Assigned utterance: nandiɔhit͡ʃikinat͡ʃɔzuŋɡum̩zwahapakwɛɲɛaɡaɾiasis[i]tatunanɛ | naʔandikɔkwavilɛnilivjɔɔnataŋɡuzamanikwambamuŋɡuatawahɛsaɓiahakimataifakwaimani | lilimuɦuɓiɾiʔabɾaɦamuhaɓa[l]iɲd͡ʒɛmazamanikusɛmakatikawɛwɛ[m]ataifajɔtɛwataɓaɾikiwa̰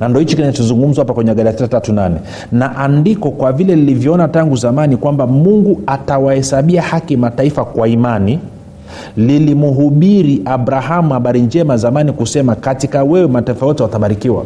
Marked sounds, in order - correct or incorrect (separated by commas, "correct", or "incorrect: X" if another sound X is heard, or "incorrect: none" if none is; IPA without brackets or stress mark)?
incorrect: a, incorrect: ɾ, correct